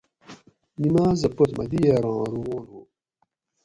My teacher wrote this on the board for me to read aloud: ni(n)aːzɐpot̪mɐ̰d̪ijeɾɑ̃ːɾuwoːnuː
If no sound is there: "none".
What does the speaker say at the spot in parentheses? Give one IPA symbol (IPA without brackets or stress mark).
m